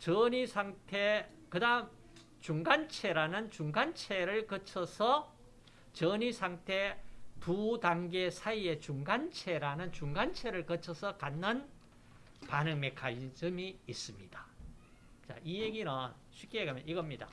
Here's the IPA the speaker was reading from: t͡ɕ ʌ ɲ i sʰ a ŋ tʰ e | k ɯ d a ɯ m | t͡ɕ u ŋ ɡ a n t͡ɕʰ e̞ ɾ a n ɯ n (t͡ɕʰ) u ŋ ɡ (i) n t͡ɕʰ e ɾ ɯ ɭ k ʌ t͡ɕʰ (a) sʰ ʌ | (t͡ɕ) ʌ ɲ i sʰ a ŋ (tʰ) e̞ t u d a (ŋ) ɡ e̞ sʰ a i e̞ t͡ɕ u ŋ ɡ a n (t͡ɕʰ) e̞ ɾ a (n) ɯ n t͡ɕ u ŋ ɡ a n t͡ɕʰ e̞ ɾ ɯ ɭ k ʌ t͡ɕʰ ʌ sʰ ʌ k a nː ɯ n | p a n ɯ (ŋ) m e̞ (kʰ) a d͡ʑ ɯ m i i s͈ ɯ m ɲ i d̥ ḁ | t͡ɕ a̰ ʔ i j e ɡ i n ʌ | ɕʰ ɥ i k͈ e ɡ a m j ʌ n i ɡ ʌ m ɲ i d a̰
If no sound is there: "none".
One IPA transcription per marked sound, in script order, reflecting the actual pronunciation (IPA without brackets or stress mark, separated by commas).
t͡ɕ, a, ʌ, t͡ɕ, tʰ, ŋ, t͡ɕʰ, n, ŋ, kʰ